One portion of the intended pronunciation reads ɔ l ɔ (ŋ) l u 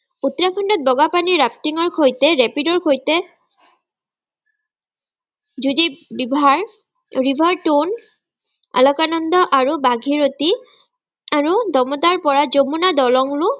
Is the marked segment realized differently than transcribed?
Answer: no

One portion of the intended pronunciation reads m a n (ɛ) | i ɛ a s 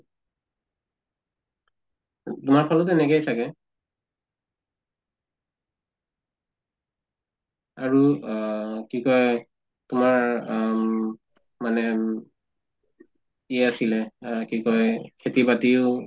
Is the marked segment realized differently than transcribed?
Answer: no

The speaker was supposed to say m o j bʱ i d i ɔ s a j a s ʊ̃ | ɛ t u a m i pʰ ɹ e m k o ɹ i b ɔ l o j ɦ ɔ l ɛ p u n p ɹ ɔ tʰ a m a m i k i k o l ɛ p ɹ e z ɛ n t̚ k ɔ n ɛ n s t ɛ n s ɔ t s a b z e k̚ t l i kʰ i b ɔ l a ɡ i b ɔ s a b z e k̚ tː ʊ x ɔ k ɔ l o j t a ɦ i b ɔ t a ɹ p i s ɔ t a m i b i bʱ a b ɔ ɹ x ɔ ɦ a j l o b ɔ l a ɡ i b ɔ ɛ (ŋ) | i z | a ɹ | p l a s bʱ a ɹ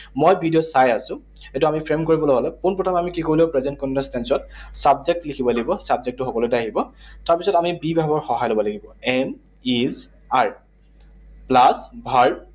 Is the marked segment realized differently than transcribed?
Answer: yes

